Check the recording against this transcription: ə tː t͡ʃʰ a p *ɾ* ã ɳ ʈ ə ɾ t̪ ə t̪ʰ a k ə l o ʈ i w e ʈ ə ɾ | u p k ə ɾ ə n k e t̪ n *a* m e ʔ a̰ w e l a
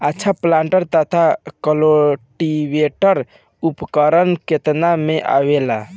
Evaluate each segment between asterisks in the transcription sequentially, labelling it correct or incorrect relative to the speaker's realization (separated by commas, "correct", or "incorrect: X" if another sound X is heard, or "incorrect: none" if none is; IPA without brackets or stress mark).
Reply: incorrect: l, correct